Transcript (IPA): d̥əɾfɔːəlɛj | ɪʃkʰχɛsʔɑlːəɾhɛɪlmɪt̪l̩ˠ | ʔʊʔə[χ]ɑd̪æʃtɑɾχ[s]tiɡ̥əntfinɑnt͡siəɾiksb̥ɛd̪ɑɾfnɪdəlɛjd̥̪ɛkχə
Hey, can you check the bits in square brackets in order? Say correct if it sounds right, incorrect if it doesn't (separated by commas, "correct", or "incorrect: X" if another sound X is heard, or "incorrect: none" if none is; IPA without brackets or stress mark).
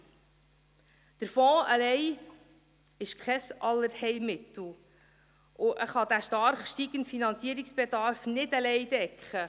correct, incorrect: ʃ